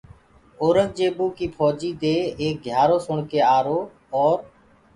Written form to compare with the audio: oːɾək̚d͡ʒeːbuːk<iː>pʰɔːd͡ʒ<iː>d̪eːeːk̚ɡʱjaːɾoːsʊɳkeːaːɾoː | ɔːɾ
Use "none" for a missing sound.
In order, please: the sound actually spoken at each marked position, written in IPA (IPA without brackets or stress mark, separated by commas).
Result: iː, iː